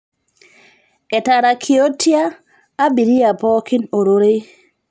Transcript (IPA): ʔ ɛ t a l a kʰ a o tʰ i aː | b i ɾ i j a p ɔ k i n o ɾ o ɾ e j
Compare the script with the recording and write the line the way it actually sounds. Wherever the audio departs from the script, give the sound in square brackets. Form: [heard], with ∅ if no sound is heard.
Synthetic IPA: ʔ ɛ t a [ɾ] a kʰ [i] o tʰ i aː | b i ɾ i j a p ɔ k i n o ɾ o ɾ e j

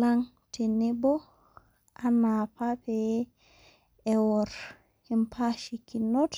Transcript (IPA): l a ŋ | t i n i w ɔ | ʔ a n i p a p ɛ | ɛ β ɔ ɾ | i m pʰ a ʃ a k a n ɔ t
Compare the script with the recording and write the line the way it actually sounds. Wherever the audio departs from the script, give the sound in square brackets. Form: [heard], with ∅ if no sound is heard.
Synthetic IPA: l a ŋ | t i n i [b] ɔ | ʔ a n [a] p a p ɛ | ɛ [w] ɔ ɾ | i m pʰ a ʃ [i] k [i] n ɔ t

